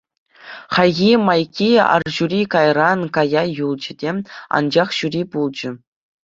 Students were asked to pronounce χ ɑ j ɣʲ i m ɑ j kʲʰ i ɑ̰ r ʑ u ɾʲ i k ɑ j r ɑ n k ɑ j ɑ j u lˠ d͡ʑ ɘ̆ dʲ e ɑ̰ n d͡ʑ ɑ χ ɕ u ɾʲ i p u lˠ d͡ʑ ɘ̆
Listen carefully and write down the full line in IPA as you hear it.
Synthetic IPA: χ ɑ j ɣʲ i m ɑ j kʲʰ i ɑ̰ r ʑ u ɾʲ i k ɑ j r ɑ n k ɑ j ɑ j u lˠ d͡ʑ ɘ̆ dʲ e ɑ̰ n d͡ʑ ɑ χ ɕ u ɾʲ i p u lˠ d͡ʑ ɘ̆